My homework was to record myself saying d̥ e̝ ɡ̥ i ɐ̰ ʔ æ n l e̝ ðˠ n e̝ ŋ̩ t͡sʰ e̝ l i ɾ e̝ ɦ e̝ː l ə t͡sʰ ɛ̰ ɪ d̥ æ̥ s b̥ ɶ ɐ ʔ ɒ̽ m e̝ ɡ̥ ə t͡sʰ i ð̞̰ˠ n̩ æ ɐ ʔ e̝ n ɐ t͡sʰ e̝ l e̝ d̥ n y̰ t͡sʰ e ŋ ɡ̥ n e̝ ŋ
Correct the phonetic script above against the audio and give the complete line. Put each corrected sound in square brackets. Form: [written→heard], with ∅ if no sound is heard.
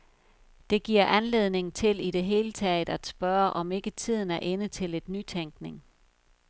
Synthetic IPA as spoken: d̥ e̝ ɡ̥ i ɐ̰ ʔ æ n l e̝ ðˠ n e̝ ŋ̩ t͡sʰ e̝ l i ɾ e̝ ɦ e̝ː l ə t͡sʰ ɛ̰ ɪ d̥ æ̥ s b̥ ɶ ɐ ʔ ɒ̽ m e̝ ɡ̥ ə t͡sʰ i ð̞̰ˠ n̩ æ ɐ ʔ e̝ n [ɐ→ə] t͡sʰ e̝ l e̝ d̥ n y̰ t͡sʰ e ŋ ɡ̥ n e̝ ŋ